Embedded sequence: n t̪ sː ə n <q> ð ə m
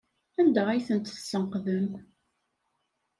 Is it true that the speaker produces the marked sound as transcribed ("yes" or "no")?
yes